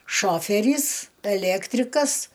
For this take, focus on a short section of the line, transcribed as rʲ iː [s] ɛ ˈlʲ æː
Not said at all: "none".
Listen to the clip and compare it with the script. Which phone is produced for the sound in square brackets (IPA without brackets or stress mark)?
s